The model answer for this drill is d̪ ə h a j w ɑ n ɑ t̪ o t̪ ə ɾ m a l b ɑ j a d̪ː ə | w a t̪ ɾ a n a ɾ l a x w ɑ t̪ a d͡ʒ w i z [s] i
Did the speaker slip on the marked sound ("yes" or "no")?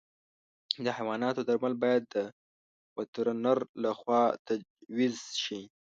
yes